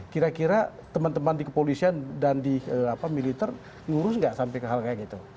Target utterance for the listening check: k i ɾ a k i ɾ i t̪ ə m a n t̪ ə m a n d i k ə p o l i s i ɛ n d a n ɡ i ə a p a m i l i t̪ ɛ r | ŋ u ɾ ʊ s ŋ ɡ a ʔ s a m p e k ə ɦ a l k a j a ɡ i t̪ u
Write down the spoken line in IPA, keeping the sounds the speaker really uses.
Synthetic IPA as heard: k i ɾ a k i ɾ a t̪ ə m a n t̪ ə m a n d i k ə p o l i s i a n d a n d i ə a p a m i l i t̪ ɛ r | ŋ u ɾ ʊ s ŋ ɡ a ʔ s a m p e k ə ɦ a l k a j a ɡ i t̪ u